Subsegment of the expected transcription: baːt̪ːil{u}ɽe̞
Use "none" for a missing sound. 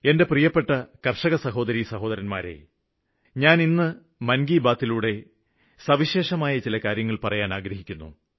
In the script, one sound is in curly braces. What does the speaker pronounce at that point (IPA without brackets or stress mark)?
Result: uː